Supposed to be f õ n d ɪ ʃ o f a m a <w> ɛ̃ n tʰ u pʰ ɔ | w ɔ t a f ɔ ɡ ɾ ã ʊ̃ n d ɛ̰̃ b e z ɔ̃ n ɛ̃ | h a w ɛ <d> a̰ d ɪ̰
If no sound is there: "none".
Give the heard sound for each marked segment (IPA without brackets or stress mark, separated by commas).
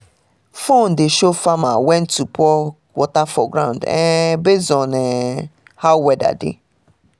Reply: w, d